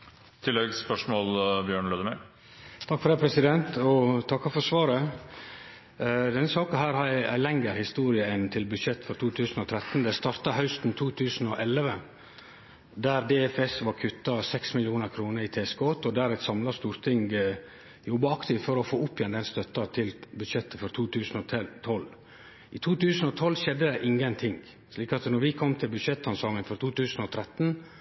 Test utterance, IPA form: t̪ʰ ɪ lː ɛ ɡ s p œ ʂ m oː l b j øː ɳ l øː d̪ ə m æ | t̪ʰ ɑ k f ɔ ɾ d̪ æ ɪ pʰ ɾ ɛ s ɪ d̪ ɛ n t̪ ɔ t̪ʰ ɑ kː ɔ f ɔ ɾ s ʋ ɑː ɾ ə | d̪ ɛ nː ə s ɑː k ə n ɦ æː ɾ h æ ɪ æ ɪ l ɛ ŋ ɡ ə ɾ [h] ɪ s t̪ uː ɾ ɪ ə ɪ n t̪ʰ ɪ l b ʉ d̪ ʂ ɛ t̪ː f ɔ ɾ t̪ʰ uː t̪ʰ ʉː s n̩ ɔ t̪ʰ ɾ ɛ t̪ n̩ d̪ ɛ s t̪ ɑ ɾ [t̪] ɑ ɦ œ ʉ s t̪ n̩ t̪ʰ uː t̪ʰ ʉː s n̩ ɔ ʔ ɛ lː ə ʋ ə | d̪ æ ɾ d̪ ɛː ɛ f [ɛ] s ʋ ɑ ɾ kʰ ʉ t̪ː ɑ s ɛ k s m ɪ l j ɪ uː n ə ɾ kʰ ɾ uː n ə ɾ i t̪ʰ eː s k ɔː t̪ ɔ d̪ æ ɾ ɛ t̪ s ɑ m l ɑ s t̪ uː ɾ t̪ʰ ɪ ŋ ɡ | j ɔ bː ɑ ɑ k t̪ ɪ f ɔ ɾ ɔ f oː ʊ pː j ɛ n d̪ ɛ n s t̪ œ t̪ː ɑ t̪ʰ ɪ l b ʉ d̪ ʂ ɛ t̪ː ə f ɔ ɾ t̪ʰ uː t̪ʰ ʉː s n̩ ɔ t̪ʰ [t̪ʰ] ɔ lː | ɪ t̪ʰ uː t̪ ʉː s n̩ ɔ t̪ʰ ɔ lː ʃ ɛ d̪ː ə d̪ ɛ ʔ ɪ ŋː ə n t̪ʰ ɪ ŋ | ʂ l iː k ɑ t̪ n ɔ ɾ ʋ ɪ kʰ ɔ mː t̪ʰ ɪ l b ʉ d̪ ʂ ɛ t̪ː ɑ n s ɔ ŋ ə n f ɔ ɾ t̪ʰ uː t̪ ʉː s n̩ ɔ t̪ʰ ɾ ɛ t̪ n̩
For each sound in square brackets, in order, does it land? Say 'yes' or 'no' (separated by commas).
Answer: yes, yes, yes, yes